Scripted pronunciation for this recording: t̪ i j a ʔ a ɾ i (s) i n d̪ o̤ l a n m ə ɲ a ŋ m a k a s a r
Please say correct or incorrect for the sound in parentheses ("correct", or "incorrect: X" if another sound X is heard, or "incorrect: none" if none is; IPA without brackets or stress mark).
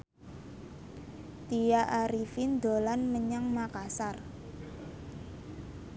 incorrect: f